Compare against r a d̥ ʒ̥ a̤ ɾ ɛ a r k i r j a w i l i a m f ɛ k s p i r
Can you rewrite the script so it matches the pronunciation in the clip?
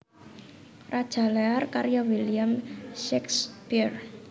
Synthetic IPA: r a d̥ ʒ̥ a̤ l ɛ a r k a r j a w i l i a m ʃ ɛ k s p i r